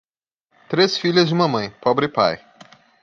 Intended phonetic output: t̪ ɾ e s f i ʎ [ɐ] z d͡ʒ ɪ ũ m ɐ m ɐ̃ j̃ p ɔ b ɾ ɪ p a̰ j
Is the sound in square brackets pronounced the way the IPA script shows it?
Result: yes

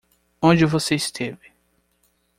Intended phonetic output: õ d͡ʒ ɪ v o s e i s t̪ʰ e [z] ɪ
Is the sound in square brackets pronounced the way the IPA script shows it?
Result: no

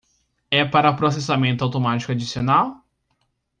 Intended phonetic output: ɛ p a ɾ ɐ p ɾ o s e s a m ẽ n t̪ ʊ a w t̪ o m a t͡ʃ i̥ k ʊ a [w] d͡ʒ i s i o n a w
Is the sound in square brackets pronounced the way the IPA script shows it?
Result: no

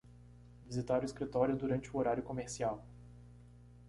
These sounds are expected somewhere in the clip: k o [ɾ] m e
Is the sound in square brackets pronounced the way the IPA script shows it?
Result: no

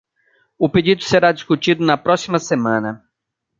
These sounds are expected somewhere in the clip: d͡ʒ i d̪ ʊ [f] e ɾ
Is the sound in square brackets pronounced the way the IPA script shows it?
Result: no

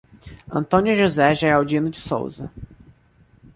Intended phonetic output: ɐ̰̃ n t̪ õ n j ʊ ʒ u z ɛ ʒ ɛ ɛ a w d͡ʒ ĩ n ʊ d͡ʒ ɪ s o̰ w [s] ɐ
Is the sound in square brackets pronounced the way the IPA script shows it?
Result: no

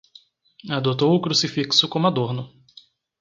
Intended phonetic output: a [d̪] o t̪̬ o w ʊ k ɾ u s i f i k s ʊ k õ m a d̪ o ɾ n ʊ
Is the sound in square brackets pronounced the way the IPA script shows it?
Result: yes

